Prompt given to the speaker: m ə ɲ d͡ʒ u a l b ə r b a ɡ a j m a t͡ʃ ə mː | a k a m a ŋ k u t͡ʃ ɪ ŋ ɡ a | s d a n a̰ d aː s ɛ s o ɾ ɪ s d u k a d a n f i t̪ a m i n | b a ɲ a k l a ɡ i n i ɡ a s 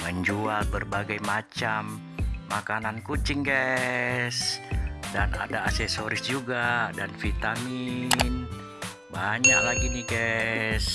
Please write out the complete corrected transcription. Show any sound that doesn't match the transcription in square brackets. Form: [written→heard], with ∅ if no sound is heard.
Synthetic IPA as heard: m ə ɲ d͡ʒ u a l b ə r b a ɡ a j m a t͡ʃ [ə→a] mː | a k a [m→n] a [ŋ→n] k u t͡ʃ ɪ ŋ ɡ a | s d a n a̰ d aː s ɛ s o ɾ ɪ s [d→d͡ʒ] u [k→ɡ] a d a n f i t̪ a m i n | b a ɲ a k l a ɡ i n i ɡ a s